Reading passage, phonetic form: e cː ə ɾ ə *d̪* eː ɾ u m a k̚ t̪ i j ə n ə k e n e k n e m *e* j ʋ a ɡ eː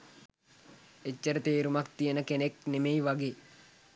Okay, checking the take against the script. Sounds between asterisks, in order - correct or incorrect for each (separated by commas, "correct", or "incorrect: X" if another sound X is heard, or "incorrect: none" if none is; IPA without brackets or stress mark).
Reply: incorrect: t̪, correct